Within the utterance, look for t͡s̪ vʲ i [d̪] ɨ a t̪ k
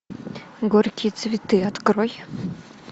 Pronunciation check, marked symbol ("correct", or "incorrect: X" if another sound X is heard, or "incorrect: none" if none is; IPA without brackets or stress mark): incorrect: t̪